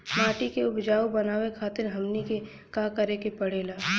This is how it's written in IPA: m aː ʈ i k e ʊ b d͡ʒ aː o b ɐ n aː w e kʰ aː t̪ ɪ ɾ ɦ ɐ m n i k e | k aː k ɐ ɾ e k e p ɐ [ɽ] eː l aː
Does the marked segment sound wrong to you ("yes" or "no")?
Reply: no